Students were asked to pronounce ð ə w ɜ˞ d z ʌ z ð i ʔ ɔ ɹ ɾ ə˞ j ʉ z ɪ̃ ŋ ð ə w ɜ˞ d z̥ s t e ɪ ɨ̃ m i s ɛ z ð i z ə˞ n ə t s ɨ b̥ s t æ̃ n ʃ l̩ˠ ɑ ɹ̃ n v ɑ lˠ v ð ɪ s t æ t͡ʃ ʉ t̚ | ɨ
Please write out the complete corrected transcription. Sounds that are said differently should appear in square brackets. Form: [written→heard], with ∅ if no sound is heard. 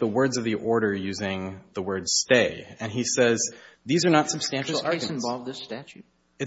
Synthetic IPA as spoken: ð ə w ɜ˞ d z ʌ [z→v] ð i ʔ ɔ ɹ ɾ ə˞ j ʉ z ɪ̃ ŋ ð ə w ɜ˞ d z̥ s t e ɪ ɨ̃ [m→n] i s ɛ z ð i z ə˞ n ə t s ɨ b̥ s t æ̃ n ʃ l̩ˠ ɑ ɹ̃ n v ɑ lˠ v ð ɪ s t æ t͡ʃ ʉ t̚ | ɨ